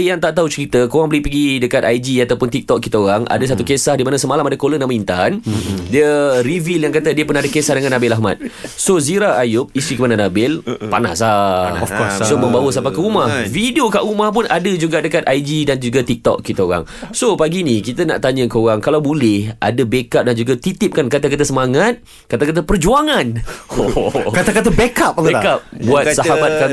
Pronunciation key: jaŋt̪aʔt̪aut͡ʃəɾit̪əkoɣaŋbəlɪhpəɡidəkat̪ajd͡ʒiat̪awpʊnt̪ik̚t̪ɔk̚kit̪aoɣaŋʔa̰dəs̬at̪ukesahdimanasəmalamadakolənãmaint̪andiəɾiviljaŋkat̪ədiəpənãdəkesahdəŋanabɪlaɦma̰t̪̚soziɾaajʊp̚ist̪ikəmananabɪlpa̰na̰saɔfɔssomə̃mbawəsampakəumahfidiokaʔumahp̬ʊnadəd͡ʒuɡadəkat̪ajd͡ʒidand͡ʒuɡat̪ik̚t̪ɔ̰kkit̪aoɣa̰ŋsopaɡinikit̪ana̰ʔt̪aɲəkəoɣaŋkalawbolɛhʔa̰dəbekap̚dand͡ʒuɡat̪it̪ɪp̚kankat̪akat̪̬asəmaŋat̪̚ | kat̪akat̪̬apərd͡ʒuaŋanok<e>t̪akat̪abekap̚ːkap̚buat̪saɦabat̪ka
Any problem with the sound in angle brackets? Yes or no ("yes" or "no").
yes